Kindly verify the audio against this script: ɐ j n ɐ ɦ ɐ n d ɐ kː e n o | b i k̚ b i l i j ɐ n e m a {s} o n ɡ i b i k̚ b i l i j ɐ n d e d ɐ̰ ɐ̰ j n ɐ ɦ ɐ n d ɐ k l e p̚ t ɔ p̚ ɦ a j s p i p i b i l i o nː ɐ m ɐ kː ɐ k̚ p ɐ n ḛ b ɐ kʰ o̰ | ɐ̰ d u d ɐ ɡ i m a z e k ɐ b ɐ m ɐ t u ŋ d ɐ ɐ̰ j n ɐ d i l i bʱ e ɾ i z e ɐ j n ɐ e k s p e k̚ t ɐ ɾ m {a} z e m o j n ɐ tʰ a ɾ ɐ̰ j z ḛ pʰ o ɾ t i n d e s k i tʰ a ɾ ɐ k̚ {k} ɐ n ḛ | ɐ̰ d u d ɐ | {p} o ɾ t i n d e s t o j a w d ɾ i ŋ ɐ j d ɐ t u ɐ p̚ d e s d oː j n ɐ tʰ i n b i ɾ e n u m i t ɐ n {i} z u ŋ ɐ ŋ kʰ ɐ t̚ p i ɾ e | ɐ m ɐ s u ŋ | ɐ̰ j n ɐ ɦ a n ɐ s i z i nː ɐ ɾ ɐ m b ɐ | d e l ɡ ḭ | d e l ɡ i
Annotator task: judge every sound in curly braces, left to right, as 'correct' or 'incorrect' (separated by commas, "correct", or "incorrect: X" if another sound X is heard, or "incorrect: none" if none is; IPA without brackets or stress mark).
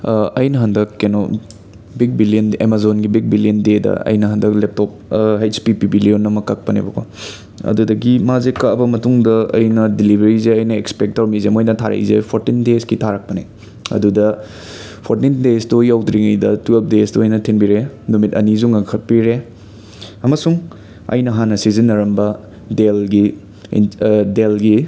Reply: incorrect: z, incorrect: i, incorrect: p, incorrect: pʰ, correct